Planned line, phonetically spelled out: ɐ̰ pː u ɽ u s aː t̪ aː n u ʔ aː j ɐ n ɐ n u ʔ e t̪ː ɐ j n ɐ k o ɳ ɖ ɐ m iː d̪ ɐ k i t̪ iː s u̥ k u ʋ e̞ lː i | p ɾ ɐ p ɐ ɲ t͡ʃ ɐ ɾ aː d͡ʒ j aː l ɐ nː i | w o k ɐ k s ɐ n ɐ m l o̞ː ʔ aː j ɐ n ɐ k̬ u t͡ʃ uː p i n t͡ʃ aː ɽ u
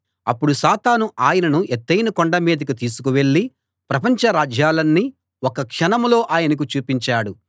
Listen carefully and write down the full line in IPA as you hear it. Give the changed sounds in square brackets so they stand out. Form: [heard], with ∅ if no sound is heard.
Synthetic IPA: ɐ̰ pː u ɽ u s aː t̪ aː n u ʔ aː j ɐ n ɐ n u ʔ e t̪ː ɐ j n ɐ k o ɳ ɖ ɐ m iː d̪ ɐ k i t̪ iː s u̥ k u ʋ e̞ [ɭː] i | p ɾ ɐ p ɐ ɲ t͡ʃ ɐ ɾ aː d͡ʒ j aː l ɐ nː i | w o k ɐ k [ʂ] ɐ n ɐ m l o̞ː ʔ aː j ɐ n ɐ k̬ u t͡ʃ uː p i [ɲ] t͡ʃ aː ɽ u